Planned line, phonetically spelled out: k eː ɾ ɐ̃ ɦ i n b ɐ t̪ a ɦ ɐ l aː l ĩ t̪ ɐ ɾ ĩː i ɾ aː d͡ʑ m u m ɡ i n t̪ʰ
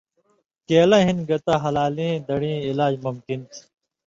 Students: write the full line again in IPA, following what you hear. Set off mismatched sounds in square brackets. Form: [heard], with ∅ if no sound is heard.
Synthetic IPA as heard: k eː [l] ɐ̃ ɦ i n [ɡ] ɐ t̪ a ɦ ɐ l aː l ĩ [d̪] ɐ [ɽ] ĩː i [l] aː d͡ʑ m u m [k] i n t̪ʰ